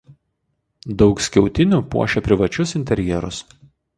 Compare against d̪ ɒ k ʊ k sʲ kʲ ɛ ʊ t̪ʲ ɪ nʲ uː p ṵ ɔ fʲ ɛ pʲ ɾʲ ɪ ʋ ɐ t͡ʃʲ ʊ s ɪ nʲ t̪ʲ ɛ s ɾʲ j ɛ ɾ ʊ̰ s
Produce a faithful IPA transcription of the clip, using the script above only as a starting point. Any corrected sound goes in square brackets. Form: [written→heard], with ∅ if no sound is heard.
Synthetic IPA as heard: d̪ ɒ [k→∅] ʊ k sʲ kʲ ɛ ʊ t̪ʲ ɪ nʲ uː p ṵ ɔ [fʲ→ʃʲ] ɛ pʲ ɾʲ ɪ ʋ ɐ t͡ʃʲ ʊ s ɪ nʲ t̪ʲ ɛ [s→∅] ɾʲ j ɛ ɾ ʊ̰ s